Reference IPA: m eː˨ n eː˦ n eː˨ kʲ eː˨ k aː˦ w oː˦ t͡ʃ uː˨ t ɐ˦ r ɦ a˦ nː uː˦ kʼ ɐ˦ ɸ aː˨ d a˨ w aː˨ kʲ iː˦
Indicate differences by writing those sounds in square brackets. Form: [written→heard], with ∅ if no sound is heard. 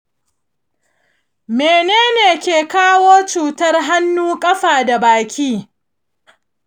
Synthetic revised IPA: m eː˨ n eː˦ n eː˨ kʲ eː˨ k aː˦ w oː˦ t͡ʃ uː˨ t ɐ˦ r ɦ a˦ nː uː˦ kʼ ɐ˦ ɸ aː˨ d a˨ [w→b] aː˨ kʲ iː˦